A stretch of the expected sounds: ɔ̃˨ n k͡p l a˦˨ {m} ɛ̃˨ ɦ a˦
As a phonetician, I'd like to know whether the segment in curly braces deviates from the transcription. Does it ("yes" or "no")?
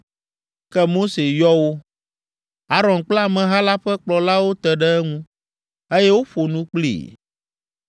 no